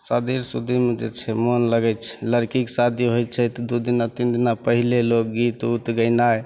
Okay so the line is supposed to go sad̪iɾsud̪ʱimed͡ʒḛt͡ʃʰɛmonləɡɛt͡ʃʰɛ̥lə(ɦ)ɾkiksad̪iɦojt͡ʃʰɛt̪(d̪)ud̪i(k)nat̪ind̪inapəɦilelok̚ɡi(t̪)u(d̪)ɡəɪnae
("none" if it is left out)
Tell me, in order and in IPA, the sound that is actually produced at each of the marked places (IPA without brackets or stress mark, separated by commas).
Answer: none, d̪, none, t̪, t̪